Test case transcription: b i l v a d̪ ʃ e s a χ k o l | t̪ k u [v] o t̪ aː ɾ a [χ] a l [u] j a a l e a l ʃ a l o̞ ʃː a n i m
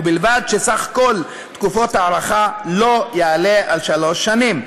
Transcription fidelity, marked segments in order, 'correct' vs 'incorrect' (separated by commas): incorrect, correct, incorrect